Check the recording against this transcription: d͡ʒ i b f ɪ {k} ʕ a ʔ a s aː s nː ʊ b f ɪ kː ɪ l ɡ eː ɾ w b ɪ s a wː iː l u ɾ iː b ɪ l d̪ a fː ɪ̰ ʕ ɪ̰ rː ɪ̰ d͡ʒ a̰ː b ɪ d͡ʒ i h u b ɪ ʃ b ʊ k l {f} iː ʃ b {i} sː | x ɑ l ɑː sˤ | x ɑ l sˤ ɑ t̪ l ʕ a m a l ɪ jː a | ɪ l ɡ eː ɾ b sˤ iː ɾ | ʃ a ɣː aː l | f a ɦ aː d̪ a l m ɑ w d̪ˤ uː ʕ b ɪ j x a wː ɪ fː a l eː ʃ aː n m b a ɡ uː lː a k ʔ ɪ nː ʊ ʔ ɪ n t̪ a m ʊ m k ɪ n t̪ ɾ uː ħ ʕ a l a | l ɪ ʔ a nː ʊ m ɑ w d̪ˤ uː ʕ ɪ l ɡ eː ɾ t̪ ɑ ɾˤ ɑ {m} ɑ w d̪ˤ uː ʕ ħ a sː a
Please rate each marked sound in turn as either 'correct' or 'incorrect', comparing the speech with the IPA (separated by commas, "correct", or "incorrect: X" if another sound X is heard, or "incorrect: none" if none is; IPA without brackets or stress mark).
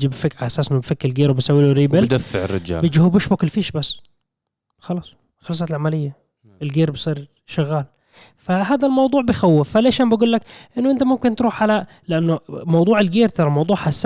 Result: correct, correct, incorrect: a, correct